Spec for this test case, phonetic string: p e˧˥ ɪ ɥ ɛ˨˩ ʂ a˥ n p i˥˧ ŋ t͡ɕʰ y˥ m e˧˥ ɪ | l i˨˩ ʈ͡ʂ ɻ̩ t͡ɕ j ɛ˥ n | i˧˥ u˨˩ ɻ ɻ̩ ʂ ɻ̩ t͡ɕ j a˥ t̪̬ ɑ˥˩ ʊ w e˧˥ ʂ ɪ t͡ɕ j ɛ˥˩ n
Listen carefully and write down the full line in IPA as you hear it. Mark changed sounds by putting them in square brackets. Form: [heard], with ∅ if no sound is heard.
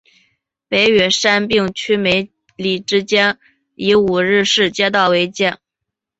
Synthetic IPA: p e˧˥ ɪ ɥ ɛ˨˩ ʂ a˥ n p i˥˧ ŋ t͡ɕʰ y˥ m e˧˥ ɪ | l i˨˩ ʈ͡ʂ ɻ̩ t͡ɕ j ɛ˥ n | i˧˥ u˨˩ ɻ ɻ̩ ʂ ɻ̩ t͡ɕ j [ɛ˥] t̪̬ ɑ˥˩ ʊ w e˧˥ [∅] ɪ t͡ɕ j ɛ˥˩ n